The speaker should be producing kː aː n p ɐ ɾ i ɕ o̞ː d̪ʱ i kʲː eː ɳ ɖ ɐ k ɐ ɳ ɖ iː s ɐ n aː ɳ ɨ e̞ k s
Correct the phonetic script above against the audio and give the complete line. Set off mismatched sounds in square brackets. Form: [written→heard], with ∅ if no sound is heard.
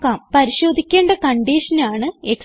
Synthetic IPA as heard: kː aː [n→m] p ɐ ɾ i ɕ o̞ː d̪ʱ i kʲː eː ɳ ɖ ɐ k ɐ ɳ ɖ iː [s→ʂ] ɐ n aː ɳ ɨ e̞ k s